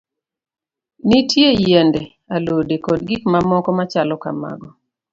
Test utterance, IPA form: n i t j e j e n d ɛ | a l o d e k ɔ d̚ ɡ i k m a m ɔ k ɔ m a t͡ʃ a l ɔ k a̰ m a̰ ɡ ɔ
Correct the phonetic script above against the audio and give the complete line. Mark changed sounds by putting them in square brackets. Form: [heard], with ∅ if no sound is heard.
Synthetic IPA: n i t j e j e n d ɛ | a l o d e k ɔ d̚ ɡ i k m a m ɔ k ɔ m a t͡ʃ a l ɔ k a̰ m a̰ ɡ ɔ